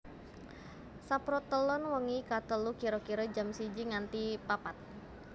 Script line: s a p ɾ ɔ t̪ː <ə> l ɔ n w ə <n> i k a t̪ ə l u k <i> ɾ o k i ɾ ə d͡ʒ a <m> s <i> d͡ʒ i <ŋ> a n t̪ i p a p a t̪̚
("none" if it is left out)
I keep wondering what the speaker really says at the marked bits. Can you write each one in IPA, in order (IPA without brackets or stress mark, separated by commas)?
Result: ə, ŋ, i, m, i, ŋ